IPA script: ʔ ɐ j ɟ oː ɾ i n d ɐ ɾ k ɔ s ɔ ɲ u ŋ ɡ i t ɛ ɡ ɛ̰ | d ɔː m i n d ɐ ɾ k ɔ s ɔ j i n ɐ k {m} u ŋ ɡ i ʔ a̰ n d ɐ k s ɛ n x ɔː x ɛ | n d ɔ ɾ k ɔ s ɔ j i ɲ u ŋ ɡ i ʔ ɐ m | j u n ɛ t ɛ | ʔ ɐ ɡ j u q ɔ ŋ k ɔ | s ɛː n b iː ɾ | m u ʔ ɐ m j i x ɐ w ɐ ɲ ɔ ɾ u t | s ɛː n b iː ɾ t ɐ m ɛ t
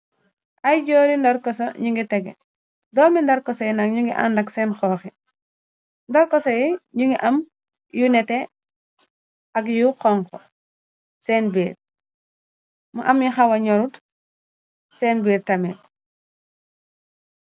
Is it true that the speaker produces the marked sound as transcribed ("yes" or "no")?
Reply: no